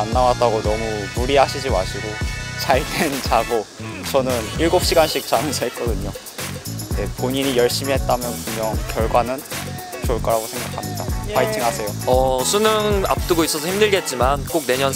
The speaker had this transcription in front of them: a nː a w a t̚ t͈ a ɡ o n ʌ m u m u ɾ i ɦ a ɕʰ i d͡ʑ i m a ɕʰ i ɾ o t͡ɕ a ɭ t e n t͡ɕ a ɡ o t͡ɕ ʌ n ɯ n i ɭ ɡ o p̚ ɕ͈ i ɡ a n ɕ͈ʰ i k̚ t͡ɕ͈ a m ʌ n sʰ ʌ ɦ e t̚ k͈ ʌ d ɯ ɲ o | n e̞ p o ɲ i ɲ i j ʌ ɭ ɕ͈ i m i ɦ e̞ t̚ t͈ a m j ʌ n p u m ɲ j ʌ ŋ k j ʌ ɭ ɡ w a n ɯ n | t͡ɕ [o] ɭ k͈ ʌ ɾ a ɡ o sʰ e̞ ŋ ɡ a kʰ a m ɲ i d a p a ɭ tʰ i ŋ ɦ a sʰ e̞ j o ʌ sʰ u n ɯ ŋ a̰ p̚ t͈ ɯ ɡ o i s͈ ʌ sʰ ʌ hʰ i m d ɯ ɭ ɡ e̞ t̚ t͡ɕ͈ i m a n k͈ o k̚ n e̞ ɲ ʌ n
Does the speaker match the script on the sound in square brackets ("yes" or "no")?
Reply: yes